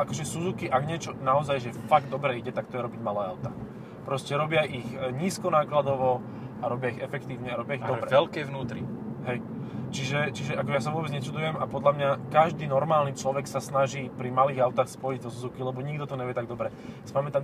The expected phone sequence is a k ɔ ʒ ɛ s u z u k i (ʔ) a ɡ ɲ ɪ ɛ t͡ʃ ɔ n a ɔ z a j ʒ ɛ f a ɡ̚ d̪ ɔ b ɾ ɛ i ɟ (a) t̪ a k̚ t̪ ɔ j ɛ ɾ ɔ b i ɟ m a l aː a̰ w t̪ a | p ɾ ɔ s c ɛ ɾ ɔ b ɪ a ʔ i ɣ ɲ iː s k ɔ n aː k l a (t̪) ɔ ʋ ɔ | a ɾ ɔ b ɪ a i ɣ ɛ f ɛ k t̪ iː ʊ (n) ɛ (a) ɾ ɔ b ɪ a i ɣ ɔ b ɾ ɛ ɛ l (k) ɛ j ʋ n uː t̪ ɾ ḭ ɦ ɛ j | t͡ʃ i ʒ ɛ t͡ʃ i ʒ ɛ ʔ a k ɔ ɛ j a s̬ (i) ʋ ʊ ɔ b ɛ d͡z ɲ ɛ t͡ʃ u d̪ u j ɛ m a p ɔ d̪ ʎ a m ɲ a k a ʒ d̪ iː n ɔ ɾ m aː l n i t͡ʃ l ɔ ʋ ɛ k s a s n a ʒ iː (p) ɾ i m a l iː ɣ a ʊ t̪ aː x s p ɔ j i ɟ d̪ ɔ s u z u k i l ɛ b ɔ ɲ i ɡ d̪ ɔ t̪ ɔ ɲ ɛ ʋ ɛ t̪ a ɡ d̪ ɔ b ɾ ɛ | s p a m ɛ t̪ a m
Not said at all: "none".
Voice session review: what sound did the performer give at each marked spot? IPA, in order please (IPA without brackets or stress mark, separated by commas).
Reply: ʔ, ɛ, d̪, ɲ, a, k, a, p